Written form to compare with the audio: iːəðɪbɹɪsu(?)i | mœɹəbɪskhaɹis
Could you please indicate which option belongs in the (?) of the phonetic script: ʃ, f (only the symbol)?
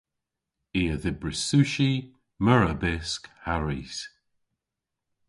ʃ